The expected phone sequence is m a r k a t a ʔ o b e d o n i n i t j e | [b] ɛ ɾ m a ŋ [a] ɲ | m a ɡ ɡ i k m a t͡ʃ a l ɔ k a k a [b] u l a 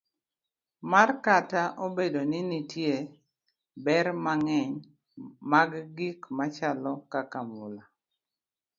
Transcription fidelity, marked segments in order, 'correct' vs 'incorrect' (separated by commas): correct, incorrect, incorrect